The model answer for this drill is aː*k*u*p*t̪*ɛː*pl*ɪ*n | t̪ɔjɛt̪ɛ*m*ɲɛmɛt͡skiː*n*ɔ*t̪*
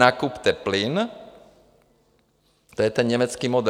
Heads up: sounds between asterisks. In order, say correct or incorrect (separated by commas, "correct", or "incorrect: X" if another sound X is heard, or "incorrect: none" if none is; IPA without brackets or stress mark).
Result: correct, correct, incorrect: ɛ, incorrect: i, incorrect: n, incorrect: m, incorrect: d̪